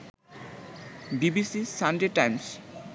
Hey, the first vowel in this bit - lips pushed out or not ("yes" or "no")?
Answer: no